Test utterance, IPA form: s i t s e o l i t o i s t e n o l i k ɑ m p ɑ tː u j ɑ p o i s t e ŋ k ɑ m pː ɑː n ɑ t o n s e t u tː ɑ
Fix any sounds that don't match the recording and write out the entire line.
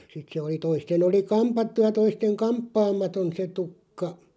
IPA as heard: s i t s e o l i t o i s t e n o l i k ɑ m p ɑ tː u j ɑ t o i s t e ŋ k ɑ m pː ɑː m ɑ t o n s e t u kː ɑ